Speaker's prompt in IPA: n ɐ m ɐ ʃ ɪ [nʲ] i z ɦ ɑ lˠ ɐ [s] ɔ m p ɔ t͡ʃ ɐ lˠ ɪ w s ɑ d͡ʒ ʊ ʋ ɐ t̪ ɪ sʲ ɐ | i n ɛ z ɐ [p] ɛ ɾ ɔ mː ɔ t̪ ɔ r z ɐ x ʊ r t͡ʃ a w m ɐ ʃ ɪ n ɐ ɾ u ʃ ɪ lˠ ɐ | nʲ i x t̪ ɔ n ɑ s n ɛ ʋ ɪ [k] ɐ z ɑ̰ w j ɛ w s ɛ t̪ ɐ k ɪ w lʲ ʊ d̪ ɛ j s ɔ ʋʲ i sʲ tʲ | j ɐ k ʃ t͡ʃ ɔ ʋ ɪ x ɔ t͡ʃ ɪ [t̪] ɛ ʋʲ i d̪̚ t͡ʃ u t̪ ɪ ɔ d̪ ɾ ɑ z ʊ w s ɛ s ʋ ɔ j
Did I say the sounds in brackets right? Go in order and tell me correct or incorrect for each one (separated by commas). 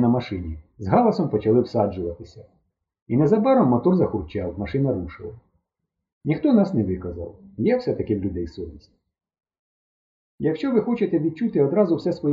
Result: correct, correct, incorrect, correct, correct